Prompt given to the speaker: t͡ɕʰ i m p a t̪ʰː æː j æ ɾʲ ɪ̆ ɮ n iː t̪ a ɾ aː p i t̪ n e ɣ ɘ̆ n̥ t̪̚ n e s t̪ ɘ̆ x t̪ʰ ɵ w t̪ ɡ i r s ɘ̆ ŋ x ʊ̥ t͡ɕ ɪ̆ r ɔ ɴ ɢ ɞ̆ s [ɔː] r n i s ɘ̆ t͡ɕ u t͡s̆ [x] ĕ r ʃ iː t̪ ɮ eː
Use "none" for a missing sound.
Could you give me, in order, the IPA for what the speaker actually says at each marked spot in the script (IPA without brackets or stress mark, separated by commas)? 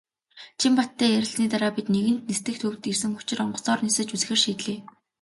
ɔː, x